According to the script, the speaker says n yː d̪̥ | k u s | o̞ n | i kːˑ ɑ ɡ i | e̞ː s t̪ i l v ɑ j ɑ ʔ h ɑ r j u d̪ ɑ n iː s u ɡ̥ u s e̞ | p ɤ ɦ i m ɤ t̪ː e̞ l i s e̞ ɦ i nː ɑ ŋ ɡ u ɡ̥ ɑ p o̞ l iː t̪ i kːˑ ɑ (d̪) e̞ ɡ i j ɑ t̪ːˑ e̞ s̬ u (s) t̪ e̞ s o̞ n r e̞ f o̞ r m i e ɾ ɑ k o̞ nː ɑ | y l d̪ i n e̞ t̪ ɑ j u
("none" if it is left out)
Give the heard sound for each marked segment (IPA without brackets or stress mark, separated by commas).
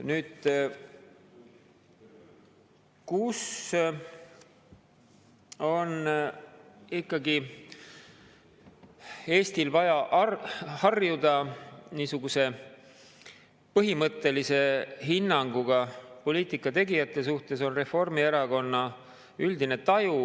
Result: t̪, h